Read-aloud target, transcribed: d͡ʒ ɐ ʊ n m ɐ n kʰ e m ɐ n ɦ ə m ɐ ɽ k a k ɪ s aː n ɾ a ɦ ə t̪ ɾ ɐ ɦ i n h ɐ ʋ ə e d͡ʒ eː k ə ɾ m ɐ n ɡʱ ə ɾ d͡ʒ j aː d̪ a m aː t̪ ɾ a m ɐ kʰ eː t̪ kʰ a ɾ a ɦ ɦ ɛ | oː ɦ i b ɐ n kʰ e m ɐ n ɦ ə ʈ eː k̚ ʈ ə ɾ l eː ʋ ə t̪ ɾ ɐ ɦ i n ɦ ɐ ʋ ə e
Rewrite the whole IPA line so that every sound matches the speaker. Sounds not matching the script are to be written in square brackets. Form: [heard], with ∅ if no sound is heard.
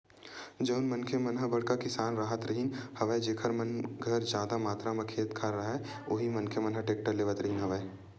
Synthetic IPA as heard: d͡ʒ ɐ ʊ n m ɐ n kʰ e m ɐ n ɦ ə [b] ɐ ɽ k a k ɪ s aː n ɾ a ɦ ə t̪ ɾ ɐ ɦ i n h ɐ ʋ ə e d͡ʒ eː [kʰ] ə ɾ m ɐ n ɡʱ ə ɾ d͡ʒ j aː d̪ a m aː t̪ ɾ a m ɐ kʰ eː t̪ kʰ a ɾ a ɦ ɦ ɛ | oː ɦ i [m] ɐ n kʰ e m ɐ n ɦ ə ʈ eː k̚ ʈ ə ɾ l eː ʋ ə t̪ ɾ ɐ ɦ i n ɦ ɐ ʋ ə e